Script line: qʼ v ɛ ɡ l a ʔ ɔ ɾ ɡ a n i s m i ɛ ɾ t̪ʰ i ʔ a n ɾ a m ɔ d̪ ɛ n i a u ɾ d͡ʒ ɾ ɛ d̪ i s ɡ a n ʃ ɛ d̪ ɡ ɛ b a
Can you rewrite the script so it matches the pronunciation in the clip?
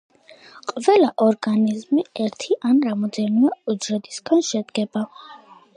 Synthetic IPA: qʼ v ɛ l a ʔ ɔ ɾ ɡ a n i z m i ɛ ɾ t̪ʰ i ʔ a n ɾ a m ɔ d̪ ɛ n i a u d͡ʒ ɾ ɛ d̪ i s ɡ a n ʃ ɛ d̪ ɡ ɛ b a

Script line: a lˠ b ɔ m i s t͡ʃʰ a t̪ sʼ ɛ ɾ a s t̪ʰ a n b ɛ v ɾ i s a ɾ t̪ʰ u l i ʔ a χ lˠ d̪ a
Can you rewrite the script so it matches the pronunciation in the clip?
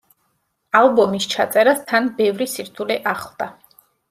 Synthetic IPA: a lˠ b ɔ m i s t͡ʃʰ a t̪ sʼ ɛ ɾ a s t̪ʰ a n b ɛ v ɾ i s i ɾ t̪ʰ u l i ʔ a χ lˠ d̪ a

